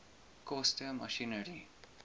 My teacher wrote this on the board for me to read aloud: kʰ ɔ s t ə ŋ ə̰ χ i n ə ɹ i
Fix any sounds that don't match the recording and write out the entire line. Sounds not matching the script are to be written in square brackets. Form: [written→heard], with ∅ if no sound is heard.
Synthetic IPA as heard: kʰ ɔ s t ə [ŋ→m] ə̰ [χ→ʃ] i n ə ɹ i